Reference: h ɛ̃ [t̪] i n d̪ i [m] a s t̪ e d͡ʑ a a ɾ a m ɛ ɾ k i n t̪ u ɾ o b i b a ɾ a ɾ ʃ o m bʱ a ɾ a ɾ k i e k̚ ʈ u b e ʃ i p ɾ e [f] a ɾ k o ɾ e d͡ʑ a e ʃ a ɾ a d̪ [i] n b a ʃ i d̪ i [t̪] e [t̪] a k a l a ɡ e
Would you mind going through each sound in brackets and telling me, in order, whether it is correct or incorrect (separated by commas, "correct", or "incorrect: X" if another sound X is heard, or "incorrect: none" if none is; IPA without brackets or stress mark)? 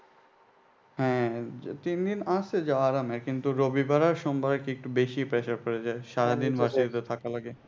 correct, incorrect: n, incorrect: ʃ, correct, correct, incorrect: t̪ʰ